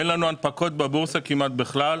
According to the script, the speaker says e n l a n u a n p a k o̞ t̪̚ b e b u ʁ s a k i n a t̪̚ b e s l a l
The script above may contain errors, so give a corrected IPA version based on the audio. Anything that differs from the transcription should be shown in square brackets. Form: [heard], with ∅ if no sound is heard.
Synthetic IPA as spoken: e n l a n u a n p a k o̞ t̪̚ b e b u ʁ s a k i [m] a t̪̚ b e [χ] l a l